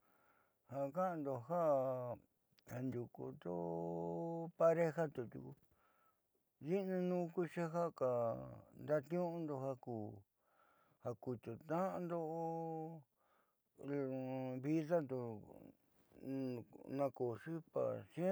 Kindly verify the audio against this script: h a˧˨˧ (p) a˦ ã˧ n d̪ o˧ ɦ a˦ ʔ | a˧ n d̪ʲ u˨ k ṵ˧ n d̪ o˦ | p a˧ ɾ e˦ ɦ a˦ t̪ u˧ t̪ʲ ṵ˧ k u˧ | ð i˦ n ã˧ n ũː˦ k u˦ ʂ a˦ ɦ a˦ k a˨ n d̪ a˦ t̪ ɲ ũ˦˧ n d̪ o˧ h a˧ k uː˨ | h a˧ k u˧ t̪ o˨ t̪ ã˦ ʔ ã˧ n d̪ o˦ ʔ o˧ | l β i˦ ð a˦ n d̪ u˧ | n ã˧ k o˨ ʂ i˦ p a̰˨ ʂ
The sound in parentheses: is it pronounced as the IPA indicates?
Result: no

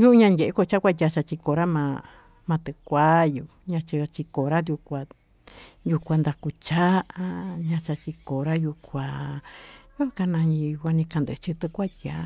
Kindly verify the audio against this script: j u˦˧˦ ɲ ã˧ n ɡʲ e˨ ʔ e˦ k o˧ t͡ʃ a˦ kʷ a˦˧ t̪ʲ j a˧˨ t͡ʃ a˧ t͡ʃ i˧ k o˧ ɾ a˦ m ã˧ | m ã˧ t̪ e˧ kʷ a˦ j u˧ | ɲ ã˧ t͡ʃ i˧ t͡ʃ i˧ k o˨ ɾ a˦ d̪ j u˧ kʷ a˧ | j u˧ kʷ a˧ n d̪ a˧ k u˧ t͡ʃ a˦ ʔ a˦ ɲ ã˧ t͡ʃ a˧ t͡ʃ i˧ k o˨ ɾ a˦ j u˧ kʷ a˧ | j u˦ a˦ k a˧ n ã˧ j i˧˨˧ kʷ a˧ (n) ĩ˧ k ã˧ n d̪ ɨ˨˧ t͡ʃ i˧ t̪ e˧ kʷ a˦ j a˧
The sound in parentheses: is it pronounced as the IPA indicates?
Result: yes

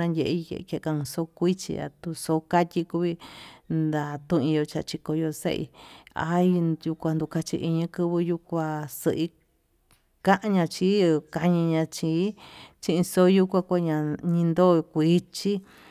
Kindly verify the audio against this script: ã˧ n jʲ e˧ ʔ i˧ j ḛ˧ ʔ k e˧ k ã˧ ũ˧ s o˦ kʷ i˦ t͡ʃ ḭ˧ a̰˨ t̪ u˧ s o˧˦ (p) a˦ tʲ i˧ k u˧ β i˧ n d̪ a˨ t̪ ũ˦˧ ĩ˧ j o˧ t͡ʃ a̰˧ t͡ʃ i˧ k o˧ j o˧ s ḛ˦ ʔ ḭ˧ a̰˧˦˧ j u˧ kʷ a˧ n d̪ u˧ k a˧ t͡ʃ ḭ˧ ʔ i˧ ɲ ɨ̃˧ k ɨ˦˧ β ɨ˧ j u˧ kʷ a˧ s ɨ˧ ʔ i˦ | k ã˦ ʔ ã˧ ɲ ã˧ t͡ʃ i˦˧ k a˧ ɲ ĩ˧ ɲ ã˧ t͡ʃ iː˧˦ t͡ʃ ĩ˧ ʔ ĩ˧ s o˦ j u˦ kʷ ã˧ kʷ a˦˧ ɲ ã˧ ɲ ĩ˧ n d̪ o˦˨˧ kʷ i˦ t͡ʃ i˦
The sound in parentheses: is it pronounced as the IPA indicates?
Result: no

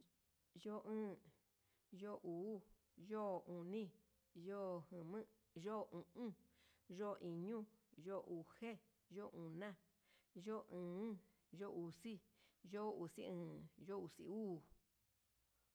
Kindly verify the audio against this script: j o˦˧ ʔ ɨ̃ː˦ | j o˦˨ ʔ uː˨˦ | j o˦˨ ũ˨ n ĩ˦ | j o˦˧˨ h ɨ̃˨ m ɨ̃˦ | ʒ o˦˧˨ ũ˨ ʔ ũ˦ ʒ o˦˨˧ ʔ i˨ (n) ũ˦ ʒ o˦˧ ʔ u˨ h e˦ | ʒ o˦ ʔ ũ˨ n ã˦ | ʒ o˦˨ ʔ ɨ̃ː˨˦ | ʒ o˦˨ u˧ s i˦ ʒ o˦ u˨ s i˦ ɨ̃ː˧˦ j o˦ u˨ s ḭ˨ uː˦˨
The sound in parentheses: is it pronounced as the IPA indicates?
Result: no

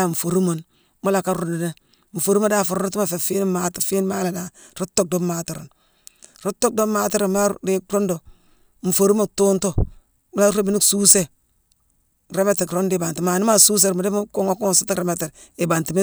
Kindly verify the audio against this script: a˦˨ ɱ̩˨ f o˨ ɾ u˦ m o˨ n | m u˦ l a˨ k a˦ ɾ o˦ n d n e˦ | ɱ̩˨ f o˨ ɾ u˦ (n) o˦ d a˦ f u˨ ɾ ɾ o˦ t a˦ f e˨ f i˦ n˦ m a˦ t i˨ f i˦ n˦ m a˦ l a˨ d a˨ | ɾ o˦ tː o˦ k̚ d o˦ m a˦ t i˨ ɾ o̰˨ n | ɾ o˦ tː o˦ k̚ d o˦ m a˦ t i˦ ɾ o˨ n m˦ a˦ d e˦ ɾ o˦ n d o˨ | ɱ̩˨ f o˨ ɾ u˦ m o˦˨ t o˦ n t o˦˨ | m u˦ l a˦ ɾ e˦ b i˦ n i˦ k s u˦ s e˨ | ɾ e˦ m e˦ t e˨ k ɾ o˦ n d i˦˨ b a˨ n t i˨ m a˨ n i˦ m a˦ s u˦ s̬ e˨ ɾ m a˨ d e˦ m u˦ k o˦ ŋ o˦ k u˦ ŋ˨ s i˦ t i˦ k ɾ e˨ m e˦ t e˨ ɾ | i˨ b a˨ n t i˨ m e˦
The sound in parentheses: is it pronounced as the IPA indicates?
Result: no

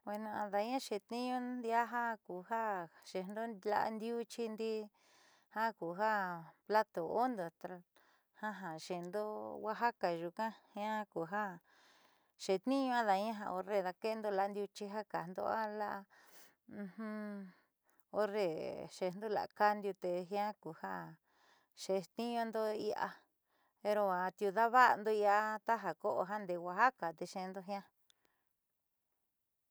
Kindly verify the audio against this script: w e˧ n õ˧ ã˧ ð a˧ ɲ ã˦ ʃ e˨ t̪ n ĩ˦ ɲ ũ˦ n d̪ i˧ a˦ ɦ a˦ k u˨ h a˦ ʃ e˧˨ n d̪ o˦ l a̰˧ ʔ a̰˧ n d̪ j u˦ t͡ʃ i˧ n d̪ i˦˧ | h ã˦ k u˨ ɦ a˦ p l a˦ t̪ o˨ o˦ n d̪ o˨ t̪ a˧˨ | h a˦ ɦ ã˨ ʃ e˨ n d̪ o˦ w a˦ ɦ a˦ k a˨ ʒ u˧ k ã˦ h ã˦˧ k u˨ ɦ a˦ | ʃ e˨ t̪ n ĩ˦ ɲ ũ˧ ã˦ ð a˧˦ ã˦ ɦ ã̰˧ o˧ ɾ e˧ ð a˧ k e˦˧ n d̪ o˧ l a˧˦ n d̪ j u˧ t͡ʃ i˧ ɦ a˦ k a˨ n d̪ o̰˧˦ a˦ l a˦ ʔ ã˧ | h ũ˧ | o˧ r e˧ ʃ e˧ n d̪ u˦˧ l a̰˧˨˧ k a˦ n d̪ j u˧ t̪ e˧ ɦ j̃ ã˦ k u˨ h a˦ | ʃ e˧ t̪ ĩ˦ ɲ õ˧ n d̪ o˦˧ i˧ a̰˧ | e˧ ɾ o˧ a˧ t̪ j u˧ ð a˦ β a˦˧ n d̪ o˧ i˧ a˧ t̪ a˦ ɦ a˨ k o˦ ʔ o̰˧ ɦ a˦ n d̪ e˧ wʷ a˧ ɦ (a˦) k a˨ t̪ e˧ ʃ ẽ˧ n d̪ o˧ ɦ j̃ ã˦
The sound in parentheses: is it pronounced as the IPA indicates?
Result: yes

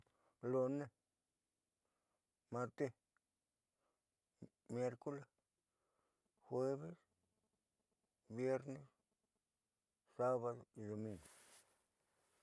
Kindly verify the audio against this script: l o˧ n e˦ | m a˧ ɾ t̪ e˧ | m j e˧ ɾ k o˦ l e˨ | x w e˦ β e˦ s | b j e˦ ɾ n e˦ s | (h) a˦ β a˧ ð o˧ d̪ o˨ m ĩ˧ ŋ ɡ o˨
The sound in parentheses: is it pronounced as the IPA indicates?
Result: no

